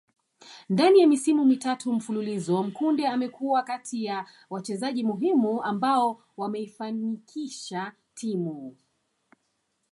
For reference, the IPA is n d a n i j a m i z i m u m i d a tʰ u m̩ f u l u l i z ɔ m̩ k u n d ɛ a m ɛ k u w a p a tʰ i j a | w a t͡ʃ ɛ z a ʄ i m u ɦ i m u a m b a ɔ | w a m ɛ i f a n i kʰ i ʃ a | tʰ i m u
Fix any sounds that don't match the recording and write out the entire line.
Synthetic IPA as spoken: n d a n i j a m i s i m u m i t a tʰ u m̩ f u l u l i z ɔ m̩ k u n d ɛ a m ɛ k u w a k a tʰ i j a | w a t͡ʃ ɛ z a ʄ i m u ɦ i m u a m b a ɔ | w a m ɛ i f a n i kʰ i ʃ a | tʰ i m u